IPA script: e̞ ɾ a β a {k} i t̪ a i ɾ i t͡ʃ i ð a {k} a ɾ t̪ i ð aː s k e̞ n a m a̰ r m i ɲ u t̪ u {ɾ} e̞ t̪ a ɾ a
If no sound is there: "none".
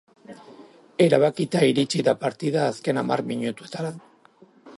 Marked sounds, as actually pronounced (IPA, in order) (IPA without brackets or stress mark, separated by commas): k, p, none